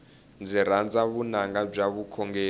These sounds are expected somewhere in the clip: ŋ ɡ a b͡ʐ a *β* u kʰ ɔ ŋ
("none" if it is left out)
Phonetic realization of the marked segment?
β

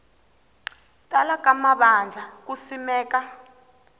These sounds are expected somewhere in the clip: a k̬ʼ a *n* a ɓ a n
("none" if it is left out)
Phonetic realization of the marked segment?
m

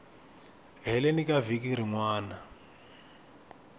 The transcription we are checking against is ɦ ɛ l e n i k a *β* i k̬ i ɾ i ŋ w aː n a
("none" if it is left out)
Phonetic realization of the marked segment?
v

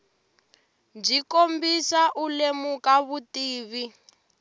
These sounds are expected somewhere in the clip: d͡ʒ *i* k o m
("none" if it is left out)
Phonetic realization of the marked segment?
i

